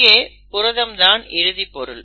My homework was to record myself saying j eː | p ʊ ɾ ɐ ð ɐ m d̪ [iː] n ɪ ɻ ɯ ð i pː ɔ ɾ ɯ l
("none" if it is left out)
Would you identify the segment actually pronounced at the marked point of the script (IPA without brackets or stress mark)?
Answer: aː